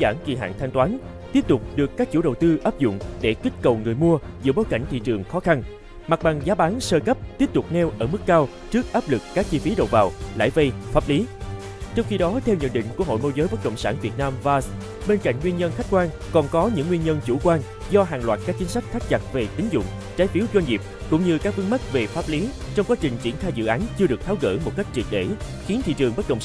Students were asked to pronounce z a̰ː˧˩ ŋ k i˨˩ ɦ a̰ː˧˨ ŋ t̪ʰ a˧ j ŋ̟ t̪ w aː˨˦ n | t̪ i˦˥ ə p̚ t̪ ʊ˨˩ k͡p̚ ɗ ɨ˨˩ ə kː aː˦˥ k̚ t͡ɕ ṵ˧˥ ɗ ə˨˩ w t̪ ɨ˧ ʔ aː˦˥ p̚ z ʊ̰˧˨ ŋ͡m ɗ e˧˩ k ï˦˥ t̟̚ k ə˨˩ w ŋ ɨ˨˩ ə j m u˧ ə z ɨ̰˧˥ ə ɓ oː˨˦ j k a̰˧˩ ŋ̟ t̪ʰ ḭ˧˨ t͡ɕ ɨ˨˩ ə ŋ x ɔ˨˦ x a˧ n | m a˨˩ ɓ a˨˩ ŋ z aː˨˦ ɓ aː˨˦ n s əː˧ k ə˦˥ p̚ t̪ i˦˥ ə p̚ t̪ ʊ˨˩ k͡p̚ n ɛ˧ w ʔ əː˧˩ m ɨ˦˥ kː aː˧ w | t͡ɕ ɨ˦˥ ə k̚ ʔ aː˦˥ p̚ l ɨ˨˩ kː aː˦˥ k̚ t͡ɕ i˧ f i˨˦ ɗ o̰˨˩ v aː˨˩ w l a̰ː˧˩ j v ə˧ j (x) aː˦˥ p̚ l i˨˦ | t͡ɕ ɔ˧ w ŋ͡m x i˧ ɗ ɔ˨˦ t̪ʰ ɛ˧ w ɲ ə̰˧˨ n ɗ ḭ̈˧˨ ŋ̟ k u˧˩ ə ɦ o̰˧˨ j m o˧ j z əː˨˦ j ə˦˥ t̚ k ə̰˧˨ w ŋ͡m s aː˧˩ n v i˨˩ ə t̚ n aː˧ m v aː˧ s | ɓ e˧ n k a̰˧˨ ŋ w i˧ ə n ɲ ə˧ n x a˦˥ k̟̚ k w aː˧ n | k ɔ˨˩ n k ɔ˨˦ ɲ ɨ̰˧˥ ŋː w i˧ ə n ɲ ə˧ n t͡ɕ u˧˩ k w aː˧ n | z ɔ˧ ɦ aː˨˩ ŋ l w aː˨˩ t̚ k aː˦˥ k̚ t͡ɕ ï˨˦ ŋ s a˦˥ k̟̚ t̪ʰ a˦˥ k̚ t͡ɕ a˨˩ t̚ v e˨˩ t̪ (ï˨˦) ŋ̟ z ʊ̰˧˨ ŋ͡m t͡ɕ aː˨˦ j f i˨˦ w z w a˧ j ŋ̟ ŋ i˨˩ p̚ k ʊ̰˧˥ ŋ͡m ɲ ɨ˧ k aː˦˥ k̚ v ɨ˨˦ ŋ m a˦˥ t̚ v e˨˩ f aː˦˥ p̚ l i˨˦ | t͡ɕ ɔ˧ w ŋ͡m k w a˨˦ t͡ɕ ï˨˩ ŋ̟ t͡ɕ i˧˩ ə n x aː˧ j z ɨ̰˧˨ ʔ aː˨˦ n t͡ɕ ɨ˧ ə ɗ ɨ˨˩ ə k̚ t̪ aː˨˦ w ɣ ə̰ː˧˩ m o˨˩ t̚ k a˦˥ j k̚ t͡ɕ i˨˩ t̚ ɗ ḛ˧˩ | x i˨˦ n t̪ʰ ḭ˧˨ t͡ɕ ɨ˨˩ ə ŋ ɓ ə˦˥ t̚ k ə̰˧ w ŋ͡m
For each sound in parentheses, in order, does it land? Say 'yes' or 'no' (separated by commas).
no, yes